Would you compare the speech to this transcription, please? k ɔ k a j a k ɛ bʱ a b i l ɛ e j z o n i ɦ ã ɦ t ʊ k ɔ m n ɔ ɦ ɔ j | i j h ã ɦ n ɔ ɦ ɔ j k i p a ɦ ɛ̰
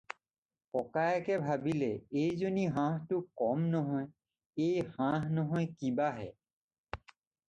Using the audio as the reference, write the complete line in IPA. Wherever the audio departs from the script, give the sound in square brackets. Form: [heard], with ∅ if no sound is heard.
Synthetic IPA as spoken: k ɔ k a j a k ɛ bʱ a b i l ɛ e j z o n i ɦ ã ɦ t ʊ k ɔ m n ɔ ɦ ɔ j | [e] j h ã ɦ n ɔ ɦ ɔ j k i [b] a ɦ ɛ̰